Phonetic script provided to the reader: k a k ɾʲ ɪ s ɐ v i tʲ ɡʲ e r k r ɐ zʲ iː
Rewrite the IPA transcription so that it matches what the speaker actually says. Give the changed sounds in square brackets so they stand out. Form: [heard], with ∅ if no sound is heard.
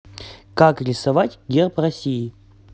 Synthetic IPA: k a k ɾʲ ɪ s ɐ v [a] tʲ ɡʲ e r [p] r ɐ [sʲ] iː